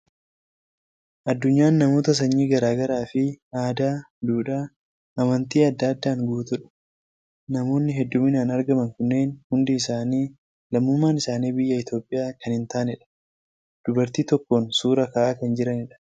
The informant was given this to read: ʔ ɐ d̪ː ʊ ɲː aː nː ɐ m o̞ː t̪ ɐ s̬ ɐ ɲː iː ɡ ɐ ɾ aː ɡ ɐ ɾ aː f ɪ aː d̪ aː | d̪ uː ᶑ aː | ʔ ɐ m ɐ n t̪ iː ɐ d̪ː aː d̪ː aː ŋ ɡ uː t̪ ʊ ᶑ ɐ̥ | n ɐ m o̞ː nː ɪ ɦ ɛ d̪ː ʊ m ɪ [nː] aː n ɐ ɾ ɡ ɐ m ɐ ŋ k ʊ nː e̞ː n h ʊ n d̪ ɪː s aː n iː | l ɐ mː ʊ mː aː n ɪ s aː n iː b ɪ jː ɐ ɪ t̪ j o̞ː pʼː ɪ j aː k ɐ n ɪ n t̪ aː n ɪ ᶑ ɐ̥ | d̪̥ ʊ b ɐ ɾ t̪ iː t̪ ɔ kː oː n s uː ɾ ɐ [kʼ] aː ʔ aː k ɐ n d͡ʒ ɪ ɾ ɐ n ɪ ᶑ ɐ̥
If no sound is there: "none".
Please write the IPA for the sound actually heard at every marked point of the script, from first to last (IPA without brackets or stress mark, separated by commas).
n, k